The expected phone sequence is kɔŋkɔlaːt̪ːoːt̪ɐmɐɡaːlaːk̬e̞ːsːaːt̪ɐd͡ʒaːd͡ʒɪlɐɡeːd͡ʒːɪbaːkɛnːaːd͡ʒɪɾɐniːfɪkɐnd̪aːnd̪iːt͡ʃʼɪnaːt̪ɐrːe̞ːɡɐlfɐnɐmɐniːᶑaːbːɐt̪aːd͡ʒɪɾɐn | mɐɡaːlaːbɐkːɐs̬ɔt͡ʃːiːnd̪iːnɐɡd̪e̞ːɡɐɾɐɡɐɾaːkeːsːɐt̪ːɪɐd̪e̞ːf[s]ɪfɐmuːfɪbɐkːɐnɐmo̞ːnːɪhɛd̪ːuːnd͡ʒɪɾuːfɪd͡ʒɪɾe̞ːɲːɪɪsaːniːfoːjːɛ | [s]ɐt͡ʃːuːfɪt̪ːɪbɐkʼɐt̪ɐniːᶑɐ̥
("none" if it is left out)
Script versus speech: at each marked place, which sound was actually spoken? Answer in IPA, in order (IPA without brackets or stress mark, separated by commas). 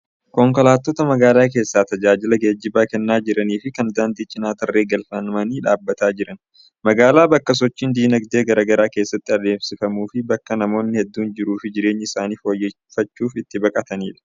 s, f